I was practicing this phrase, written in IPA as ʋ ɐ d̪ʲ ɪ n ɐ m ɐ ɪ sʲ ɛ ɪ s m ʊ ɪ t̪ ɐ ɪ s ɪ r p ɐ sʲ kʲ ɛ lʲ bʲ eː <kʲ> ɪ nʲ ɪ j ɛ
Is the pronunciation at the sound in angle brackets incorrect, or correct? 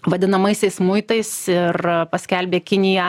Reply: correct